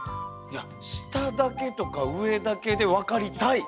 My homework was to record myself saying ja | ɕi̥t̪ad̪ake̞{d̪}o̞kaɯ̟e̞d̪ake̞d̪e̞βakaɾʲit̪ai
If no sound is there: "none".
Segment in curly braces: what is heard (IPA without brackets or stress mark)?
t̪